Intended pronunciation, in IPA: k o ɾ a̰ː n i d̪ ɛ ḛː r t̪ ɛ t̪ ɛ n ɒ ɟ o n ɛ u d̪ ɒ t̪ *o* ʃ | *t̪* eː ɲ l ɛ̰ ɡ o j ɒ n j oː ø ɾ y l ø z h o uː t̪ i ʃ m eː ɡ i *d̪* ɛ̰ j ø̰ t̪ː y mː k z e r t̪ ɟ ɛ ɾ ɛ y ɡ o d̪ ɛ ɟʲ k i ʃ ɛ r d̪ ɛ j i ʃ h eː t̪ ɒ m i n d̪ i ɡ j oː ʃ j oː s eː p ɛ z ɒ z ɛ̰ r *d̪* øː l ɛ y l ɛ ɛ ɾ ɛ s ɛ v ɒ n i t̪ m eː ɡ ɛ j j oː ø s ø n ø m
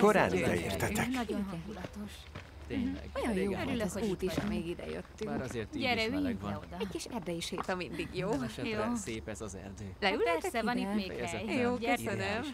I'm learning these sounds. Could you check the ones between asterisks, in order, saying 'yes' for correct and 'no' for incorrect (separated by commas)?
yes, yes, yes, yes